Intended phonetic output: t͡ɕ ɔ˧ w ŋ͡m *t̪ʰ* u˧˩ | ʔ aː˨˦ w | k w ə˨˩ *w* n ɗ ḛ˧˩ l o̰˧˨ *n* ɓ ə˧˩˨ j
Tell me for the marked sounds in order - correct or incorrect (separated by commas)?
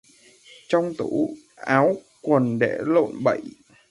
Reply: incorrect, incorrect, correct